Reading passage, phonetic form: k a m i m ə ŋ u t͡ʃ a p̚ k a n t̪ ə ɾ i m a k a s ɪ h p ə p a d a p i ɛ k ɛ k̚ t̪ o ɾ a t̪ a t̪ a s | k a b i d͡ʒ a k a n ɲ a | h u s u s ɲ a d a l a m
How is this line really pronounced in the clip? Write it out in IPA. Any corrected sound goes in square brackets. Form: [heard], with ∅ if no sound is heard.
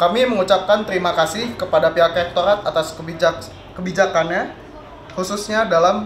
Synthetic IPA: k a m i m ə ŋ u t͡ʃ a p̚ k a n t̪ ə ɾ i m a k a s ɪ h [k] ə p a d a p i [a] k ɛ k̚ t̪ o ɾ a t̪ a t̪ a s | k [ə] b i d͡ʒ a k a n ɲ a | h u s u s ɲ a d a l a m

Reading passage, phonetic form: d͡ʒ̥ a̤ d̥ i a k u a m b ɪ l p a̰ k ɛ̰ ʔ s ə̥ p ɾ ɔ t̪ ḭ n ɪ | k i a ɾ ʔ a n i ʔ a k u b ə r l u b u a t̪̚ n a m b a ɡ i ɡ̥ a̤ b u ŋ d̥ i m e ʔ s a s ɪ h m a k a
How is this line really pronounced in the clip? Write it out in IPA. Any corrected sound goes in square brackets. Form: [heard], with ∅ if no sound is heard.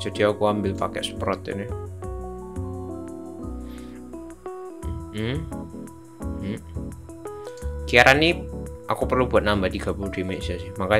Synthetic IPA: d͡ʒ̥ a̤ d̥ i a k u a m b ɪ l p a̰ k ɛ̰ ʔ s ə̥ p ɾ ɔ t̪ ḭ n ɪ | k i a ɾ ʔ a n i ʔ a k u [p] ə r l u b u a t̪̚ n a m b a [d] i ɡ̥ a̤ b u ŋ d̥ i m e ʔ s a s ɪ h m a k a

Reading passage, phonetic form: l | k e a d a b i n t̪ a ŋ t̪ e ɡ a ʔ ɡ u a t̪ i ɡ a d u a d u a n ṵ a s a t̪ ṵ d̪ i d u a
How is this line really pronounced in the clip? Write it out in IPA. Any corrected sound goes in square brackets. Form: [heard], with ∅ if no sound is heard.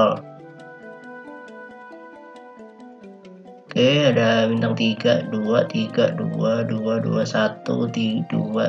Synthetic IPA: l | k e a d a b i n t̪ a ŋ t̪ [i] ɡ a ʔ [d] u a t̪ i ɡ a d u a d u a [d] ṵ a s a t̪ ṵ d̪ i d u a

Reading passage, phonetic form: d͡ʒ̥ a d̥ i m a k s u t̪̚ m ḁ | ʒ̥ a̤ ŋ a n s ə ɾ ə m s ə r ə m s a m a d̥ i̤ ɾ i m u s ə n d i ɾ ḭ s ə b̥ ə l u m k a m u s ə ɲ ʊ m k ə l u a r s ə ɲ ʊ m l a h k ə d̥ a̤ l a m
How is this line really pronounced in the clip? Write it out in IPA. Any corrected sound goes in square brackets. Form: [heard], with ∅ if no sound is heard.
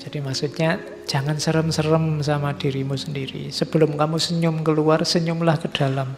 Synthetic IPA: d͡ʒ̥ a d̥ i m a k s u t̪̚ [ɲ] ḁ | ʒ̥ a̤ ŋ a n s ə ɾ ə m s ə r ə m s a m a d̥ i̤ ɾ i m u s ə n d i ɾ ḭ s ə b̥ ə l [ʊ] m k a m u s ə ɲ ʊ m k ə l u a r s ə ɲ ʊ m l a h k ə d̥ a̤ l a m

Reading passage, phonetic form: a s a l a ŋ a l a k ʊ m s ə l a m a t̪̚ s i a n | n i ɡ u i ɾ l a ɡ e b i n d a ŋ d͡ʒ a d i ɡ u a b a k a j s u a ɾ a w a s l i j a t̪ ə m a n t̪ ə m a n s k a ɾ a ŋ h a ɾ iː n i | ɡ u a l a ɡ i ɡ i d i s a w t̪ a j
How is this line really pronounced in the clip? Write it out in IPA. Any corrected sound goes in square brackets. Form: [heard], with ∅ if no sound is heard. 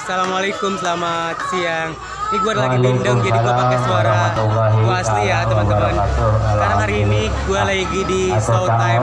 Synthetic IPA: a s a l a [m] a l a k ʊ m s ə l a m a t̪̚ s i a [ŋ] | n i ɡ u [a] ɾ l a ɡ [i] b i n d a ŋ d͡ʒ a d i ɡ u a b a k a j s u a ɾ a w a s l i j a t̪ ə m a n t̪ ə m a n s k a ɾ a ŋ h a ɾ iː n i | ɡ u a l a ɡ i ɡ i d i s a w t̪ a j

